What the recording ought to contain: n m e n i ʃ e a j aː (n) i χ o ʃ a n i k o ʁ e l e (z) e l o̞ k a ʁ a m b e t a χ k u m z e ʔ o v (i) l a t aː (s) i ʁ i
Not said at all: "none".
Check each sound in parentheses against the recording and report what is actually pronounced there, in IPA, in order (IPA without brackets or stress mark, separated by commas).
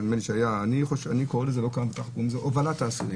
n, z, a, s